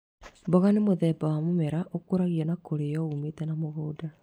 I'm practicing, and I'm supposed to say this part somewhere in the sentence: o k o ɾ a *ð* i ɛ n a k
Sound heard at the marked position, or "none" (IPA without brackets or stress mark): ɣ